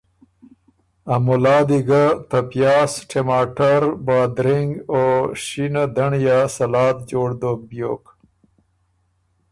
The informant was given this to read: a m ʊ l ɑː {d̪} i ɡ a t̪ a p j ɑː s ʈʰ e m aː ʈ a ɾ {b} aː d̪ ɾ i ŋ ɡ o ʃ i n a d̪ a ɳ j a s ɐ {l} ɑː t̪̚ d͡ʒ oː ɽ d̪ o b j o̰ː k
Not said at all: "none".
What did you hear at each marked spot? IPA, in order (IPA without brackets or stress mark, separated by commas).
d̪, b, l